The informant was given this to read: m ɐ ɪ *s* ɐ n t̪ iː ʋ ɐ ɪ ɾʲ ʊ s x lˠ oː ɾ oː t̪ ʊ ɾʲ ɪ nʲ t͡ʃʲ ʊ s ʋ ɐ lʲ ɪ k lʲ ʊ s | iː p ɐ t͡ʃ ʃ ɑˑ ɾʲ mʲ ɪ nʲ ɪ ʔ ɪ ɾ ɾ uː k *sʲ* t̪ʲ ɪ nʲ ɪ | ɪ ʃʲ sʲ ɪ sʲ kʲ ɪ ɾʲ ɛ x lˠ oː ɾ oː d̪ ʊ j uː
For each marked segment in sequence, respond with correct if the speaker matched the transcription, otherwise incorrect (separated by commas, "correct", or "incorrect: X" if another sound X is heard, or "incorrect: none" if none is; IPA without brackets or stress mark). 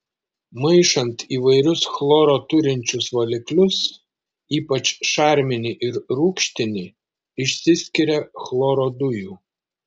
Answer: incorrect: ʃ, incorrect: ʃʲ